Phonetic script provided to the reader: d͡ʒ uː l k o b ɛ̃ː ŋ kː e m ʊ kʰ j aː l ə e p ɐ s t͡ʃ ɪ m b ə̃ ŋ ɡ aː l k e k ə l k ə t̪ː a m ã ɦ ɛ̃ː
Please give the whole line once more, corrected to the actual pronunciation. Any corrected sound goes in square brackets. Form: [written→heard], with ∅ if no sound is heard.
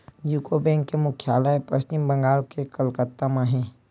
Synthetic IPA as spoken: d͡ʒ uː [l→∅] k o b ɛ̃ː ŋ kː e m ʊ kʰ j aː l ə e p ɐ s t͡ʃ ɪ m b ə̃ ŋ ɡ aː l k e k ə l k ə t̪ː a m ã ɦ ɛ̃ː

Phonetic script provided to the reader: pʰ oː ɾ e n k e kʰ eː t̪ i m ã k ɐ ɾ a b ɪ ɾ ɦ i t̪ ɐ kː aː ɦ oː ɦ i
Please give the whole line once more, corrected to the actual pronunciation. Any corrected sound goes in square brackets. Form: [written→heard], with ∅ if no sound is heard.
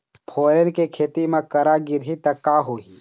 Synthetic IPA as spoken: pʰ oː ɾ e n k e kʰ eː t̪ i m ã k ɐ ɾ a [b→ɡ] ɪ ɾ ɦ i t̪ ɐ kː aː ɦ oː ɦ i

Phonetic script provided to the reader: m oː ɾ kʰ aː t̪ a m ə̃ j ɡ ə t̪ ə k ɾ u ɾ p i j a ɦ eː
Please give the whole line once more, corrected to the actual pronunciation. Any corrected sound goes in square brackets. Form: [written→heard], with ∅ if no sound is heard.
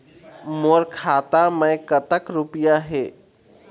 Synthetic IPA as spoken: m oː ɾ kʰ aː t̪ a m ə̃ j [ɡ→k] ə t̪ ə k ɾ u [ɾ→∅] p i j a ɦ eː

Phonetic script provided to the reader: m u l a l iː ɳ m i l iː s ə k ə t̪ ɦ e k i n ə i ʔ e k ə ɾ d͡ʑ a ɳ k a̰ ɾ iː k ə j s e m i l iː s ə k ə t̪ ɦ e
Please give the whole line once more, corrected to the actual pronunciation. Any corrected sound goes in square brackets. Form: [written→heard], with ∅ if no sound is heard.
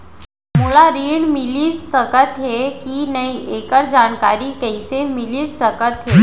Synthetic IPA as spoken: m u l a [l→ɾ] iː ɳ m i l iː s ə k ə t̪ ɦ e k i n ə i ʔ e k ə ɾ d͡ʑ a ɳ k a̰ ɾ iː k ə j s e m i l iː s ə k ə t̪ ɦ e

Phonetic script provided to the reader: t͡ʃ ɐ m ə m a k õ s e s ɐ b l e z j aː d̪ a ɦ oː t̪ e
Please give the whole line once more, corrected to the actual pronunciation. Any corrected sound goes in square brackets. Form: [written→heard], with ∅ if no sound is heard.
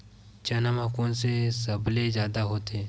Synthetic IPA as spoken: t͡ʃ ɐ [m→n] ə m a k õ s e s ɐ b l e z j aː d̪ a ɦ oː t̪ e

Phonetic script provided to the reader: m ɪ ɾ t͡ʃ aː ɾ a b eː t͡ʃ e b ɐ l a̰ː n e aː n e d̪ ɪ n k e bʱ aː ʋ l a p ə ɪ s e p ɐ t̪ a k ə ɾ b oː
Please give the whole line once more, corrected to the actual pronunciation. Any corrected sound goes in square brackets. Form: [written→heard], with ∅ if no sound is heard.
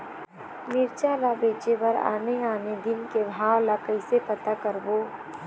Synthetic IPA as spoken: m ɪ ɾ t͡ʃ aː [ɾ→l] a b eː t͡ʃ e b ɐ [l→ɾ] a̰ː n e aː n e d̪ ɪ n k e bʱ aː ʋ l a [p→k] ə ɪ s e p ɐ t̪ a k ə ɾ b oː

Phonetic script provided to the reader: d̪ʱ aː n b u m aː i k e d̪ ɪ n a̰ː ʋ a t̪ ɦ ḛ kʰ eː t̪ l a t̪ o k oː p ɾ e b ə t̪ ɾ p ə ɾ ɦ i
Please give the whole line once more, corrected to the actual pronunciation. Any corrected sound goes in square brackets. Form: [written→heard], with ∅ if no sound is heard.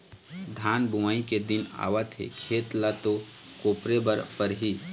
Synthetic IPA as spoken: d̪ʱ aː n b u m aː i k e d̪ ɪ n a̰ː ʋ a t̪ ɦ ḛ kʰ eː t̪ l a t̪ o k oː p ɾ e b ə [t̪→∅] ɾ p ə ɾ ɦ i

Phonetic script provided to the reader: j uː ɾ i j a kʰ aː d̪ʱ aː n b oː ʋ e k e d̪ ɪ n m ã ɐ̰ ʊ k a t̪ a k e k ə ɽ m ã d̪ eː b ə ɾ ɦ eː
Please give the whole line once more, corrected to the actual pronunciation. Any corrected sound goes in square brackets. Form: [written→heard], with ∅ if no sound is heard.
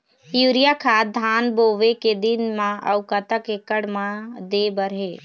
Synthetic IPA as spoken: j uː ɾ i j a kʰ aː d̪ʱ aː n b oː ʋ e k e d̪ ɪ n m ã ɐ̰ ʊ k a t̪ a k e k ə ɽ m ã d̪ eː b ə ɾ ɦ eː

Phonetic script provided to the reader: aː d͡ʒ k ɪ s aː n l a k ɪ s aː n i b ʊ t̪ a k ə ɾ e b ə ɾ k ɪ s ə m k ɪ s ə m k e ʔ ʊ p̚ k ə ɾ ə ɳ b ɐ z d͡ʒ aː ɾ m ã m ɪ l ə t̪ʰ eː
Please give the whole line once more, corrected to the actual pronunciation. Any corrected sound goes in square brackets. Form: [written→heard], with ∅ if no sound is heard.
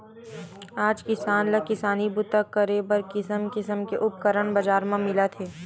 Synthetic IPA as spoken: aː d͡ʒ k ɪ s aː n l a k ɪ s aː n i b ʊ t̪ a k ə ɾ e b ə ɾ k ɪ s ə m k ɪ s ə m k e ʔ ʊ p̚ k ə ɾ ə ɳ b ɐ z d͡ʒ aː ɾ m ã m ɪ l [ə→a] t̪ʰ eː

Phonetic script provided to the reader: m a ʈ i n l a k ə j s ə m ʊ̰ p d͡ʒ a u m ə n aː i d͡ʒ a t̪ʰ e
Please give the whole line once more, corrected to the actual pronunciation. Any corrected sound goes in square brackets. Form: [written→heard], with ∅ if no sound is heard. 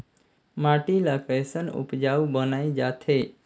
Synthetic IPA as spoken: m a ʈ i [n→∅] l a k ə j s ə [m→n] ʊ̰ p d͡ʒ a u [m→b] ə n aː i d͡ʒ a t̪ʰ e

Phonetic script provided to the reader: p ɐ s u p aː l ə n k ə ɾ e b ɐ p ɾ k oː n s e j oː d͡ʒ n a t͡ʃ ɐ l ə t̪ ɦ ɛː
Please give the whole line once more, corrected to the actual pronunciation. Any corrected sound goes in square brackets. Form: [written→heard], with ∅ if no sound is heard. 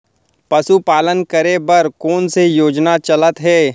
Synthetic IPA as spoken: p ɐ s u p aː l ə n k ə ɾ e b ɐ [p→∅] ɾ k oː n s e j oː d͡ʒ n a t͡ʃ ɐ l ə t̪ ɦ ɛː

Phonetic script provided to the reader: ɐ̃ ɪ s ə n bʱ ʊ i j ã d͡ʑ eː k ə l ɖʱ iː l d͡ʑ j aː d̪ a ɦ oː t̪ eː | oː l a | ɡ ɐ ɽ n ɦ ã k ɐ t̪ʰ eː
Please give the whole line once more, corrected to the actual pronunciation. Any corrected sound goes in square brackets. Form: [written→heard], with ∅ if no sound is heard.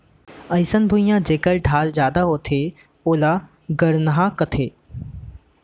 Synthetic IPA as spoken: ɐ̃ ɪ s ə n bʱ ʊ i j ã d͡ʑ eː k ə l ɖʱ [iː→aː] l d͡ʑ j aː d̪ a ɦ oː [t̪→t̪ʰ] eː | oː l a | ɡ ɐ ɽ n ɦ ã k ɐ t̪ʰ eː

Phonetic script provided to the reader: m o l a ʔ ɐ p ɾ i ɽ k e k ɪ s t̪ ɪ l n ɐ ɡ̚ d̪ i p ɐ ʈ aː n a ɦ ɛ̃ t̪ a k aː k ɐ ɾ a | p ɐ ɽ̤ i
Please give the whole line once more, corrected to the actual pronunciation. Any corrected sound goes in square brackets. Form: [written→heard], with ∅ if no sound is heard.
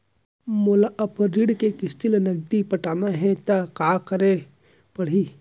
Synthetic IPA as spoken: m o l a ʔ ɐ p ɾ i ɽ k e k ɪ s t̪ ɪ l n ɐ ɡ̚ d̪ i p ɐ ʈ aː n a ɦ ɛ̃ t̪ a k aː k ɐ ɾ [a→e] | p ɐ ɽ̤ i

